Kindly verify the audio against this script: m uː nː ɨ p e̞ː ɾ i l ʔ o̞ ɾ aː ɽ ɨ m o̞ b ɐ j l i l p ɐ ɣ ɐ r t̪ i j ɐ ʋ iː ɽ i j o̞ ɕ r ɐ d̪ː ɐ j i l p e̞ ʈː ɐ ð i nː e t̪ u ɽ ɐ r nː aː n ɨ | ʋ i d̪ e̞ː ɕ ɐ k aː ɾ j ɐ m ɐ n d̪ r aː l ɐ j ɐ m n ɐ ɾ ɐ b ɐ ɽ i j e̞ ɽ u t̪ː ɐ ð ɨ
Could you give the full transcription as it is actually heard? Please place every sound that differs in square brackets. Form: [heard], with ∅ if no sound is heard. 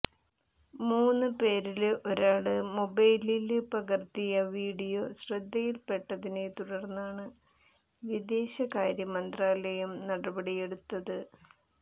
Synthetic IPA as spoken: m uː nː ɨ p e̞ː ɾ i l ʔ o̞ ɾ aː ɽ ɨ m o̞ b ɐ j l i l p ɐ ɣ ɐ r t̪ i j ɐ ʋ iː ɽ i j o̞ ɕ r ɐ d̪ː ɐ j i l p e̞ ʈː ɐ ð i [n] e t̪ u ɽ ɐ r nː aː [ɳ] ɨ | ʋ i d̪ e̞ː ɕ ɐ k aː ɾ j ɐ m ɐ n d̪ r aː l ɐ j ɐ m n ɐ [ɽ] ɐ b ɐ ɽ i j e̞ ɽ u t̪ː ɐ ð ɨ